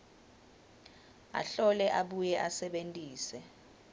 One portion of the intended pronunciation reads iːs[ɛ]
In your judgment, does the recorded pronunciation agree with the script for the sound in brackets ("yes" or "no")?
yes